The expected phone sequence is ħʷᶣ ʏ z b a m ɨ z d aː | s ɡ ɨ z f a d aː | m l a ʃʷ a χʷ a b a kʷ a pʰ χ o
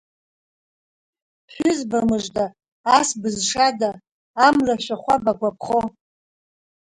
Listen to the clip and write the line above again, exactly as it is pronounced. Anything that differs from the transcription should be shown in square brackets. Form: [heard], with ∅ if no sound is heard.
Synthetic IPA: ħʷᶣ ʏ z b a m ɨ [ʐ] d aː | s [b] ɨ z [ʂ] a d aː | m l a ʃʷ a χʷ a b a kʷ a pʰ χ o